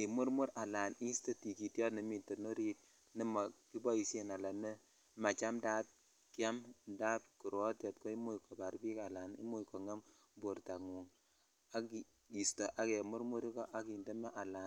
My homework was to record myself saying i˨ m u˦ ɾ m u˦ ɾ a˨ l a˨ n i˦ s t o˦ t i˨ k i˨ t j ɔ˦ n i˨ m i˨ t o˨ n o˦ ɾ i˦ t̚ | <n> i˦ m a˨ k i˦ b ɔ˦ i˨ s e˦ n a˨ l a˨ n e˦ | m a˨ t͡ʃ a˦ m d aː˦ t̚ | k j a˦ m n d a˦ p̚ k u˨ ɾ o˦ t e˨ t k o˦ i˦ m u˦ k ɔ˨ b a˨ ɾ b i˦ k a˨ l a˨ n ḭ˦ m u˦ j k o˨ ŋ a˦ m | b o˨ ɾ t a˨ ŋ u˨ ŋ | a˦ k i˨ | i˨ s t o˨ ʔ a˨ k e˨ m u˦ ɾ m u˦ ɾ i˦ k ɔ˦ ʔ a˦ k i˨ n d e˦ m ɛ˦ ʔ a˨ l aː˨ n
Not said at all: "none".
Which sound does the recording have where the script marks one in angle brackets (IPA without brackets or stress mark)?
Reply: n